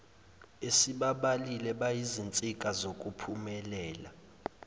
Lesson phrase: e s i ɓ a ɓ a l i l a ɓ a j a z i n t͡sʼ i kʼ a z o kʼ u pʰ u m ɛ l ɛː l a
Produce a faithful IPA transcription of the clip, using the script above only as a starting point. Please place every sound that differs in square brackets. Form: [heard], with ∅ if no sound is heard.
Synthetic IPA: e s i ɓ a ɓ a l i l [ɛ] ɓ a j [i] z i n t͡sʼ i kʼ a z o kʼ u pʰ u m ɛ l ɛː l a